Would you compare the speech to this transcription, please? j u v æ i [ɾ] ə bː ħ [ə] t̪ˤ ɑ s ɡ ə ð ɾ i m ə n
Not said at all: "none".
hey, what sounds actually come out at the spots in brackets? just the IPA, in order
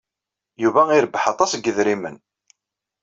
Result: ɾ, ɑ

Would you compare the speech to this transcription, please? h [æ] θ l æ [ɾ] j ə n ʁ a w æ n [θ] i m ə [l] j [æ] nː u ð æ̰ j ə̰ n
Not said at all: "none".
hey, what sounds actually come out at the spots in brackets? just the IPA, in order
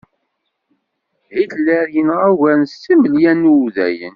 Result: i, ɾ, s, l, æ

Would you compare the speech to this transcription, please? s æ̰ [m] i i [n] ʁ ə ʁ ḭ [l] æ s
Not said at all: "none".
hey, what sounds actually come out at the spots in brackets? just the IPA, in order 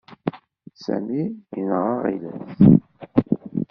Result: m, n, l

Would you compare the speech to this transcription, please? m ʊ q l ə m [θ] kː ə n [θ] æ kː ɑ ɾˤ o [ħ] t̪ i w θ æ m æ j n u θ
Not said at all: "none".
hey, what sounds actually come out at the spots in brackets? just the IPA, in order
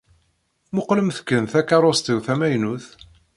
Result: θ, θ, s

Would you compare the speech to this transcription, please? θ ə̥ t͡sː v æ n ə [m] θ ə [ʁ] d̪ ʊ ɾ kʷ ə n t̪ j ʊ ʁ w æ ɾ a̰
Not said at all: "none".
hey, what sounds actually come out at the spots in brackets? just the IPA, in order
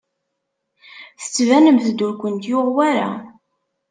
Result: m, none

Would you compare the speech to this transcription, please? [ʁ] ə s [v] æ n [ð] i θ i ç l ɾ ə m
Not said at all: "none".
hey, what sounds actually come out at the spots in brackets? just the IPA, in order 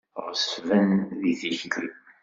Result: ʁ, v, ð

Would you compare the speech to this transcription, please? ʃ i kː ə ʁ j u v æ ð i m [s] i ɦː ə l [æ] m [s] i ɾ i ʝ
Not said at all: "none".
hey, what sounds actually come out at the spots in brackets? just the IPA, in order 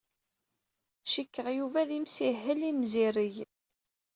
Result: s, i, z

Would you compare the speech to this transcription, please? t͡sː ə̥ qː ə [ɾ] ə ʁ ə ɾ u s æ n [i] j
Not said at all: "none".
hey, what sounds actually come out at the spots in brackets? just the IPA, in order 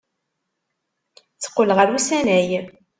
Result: l, æ

